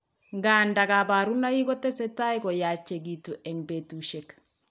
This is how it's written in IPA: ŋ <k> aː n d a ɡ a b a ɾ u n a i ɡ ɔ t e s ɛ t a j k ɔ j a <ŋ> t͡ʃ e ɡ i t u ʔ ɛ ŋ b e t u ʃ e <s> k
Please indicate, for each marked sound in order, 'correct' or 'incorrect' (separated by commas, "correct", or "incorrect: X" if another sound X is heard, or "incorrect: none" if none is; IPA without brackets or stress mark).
incorrect: ɡ, incorrect: none, incorrect: none